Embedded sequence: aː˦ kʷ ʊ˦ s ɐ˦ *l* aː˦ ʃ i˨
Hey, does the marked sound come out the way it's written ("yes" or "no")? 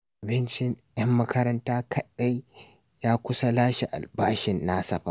yes